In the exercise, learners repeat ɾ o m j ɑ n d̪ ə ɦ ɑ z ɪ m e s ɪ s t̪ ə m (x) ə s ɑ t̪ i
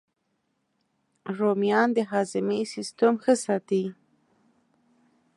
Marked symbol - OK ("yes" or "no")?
yes